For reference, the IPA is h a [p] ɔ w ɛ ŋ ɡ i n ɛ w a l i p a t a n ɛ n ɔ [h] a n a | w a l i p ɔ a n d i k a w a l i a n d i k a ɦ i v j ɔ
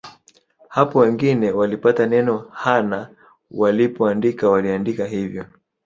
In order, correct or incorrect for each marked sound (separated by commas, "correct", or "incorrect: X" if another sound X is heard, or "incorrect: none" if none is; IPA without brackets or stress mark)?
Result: correct, correct